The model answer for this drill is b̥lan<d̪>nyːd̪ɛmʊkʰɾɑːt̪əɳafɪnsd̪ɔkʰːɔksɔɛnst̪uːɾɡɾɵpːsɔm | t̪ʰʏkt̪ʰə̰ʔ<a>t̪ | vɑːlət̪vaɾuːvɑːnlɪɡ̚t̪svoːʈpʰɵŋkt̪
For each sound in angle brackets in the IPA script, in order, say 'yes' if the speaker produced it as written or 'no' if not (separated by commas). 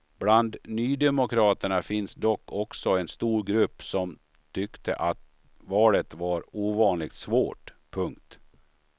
yes, yes